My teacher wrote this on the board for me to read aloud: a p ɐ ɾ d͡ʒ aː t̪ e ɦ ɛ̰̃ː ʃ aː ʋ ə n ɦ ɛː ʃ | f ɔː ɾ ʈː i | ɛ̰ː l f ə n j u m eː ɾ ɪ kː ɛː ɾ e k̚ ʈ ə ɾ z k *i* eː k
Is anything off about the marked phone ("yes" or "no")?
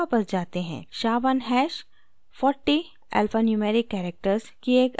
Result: no